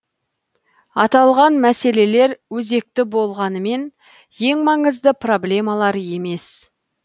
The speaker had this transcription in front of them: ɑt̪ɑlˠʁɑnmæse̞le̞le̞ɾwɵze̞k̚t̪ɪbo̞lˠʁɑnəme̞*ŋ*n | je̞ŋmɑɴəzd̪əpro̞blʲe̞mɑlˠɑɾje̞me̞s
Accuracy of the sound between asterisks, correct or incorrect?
incorrect: none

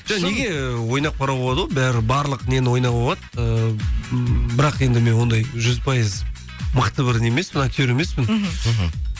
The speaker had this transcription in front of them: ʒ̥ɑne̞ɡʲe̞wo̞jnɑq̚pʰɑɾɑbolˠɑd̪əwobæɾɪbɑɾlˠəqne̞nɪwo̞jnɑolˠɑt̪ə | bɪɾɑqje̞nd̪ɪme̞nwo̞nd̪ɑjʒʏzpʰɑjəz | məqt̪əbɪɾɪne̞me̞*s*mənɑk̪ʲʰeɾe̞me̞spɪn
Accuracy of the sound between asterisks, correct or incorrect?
correct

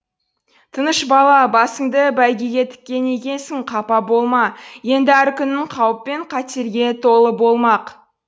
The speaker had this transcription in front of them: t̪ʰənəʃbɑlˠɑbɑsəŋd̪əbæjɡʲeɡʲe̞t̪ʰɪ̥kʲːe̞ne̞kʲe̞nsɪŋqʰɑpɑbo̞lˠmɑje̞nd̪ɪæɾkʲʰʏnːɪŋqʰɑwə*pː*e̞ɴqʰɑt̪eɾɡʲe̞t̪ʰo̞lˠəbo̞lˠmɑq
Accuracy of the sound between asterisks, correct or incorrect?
correct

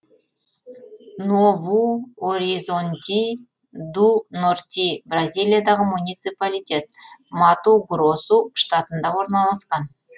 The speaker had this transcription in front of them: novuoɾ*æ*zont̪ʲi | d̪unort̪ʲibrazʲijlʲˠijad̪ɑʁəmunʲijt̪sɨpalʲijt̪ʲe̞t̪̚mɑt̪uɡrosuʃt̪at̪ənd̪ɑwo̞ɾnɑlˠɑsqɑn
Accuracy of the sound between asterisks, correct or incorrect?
incorrect: i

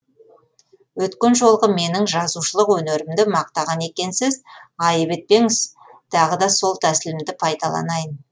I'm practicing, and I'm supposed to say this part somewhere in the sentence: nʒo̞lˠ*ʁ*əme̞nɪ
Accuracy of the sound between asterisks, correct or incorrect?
correct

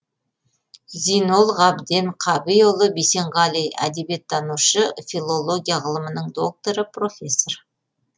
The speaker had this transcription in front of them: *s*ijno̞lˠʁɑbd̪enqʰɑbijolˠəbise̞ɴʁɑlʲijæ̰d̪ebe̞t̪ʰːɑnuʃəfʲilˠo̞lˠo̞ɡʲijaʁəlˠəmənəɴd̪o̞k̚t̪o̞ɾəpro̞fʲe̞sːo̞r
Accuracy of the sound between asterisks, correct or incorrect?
incorrect: z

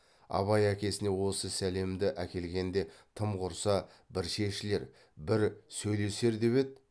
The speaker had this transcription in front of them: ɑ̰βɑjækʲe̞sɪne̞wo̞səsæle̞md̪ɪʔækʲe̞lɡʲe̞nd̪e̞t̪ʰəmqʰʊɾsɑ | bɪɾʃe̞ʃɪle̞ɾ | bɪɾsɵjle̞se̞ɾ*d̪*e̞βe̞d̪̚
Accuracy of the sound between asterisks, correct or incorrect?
correct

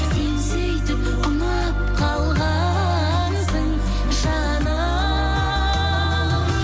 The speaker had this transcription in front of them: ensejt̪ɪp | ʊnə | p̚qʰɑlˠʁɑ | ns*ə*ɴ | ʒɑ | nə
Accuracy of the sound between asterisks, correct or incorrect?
correct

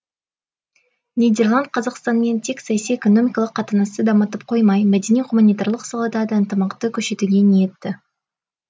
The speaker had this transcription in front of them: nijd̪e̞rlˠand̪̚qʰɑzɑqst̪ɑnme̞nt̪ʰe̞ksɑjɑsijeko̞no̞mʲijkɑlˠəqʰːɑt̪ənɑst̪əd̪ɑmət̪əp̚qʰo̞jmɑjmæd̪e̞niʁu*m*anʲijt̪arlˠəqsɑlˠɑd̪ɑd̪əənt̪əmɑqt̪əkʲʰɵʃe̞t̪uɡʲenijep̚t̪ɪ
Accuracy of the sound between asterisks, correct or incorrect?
correct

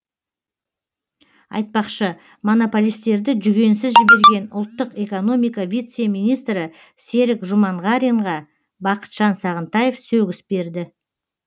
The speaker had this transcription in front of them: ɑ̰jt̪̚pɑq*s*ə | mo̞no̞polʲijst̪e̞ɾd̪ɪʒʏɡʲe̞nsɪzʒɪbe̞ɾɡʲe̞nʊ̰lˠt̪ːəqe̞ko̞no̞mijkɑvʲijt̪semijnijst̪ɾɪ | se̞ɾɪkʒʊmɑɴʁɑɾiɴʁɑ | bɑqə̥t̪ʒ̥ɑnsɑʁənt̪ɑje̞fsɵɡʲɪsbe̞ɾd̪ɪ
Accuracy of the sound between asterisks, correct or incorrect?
incorrect: ʃ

